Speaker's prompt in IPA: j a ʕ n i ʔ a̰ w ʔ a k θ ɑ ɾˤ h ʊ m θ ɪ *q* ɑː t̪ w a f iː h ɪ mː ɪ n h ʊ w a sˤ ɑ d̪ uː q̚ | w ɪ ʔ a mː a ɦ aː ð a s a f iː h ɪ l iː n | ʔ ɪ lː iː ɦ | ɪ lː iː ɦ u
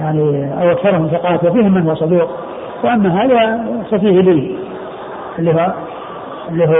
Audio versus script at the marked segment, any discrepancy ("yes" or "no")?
no